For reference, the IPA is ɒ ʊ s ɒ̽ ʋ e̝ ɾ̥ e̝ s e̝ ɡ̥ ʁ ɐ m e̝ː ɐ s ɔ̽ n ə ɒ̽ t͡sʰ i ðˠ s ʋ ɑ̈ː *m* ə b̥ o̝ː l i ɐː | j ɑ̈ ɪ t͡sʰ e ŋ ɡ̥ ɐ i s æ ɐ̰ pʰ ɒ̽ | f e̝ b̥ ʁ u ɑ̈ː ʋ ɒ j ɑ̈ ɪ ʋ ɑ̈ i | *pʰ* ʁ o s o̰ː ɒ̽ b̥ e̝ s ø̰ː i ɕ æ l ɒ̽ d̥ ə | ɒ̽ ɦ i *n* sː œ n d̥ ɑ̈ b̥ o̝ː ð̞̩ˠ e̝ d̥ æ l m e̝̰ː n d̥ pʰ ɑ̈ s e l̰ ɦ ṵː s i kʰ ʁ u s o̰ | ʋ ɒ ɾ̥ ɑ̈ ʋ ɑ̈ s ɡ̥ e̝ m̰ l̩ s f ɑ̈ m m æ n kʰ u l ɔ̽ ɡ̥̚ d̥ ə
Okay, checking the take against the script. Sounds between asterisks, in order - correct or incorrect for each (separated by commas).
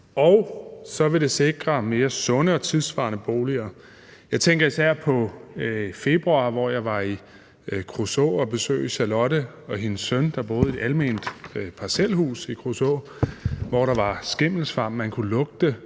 incorrect, incorrect, correct